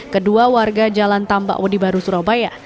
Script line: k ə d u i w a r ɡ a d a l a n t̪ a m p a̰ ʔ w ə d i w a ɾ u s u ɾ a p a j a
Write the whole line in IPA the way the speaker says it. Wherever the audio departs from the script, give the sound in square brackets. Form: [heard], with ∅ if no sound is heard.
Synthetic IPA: k ə d u [a] w a r ɡ a [d͡ʒ] a l a n t̪ a m [b] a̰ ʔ w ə d i [b] a ɾ u s u ɾ a [b] a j a